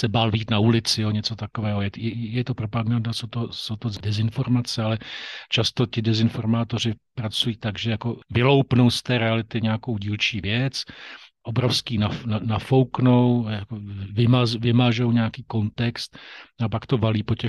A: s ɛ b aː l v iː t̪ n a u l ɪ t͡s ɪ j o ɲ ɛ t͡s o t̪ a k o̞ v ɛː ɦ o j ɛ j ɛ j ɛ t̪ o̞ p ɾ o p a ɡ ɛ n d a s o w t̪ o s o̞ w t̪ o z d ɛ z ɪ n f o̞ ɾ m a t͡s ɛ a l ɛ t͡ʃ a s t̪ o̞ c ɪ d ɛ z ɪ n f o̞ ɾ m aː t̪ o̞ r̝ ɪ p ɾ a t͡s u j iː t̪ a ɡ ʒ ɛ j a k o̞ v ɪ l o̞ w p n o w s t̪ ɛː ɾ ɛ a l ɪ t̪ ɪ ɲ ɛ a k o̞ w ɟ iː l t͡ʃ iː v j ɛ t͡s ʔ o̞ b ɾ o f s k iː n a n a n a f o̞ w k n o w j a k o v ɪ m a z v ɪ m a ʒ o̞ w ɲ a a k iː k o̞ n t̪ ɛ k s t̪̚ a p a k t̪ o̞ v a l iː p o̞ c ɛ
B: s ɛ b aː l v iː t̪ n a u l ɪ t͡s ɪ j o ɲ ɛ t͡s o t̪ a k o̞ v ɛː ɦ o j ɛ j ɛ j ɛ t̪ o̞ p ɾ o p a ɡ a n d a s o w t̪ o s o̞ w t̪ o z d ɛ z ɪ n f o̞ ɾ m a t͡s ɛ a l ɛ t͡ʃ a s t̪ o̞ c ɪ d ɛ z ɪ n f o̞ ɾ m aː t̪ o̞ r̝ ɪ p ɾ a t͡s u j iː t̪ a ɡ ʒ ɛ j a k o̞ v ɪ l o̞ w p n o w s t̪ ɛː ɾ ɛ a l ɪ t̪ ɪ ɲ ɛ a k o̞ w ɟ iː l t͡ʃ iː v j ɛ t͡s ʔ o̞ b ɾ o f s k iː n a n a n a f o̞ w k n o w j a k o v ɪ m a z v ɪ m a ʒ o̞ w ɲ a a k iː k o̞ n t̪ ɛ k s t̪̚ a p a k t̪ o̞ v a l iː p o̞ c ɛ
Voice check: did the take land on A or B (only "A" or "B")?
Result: B